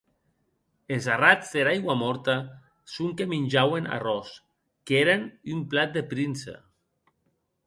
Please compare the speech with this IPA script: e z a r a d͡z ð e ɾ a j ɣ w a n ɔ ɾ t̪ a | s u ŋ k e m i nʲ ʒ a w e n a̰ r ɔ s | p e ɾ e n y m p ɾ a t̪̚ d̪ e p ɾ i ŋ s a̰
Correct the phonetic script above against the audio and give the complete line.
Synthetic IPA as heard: e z a r a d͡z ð e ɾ a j ɣ w a m ɔ ɾ t̪ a | s u ŋ k e m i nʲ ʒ a w e n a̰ r ɔ s | k e ɾ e n y m p l a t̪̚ d̪ e p ɾ i n s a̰